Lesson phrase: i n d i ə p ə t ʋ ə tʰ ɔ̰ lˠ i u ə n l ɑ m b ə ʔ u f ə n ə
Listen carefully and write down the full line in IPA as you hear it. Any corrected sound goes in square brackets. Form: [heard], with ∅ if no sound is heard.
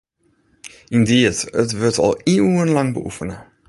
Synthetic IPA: i n d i ə [t] ə t ʋ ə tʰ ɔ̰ lˠ i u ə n l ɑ [ŋ] b ə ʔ u f ə n ə